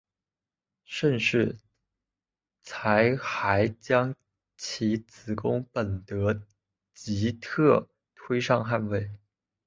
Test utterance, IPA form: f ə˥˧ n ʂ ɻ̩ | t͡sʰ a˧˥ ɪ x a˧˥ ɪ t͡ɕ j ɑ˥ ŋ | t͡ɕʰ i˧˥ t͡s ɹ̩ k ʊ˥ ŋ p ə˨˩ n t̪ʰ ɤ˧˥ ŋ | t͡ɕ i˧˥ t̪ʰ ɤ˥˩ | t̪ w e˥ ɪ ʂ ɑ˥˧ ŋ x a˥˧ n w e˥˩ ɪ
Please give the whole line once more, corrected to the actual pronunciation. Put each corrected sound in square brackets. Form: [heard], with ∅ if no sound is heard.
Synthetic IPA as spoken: [ʂ] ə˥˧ n ʂ ɻ̩ | t͡sʰ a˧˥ ɪ x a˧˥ ɪ t͡ɕ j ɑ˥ ŋ | t͡ɕʰ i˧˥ t͡s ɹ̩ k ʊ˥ ŋ p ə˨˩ n [t̪] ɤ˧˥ [∅] | t͡ɕ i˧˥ t̪ʰ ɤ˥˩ | [t̪ʰ] w e˥ ɪ ʂ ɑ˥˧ ŋ x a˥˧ n w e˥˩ ɪ